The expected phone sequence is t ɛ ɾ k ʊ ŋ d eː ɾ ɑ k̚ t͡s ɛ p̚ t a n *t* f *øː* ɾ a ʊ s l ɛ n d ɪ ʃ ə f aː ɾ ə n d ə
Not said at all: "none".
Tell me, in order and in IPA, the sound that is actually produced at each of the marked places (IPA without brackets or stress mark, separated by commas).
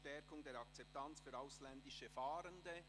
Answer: t͡s, yː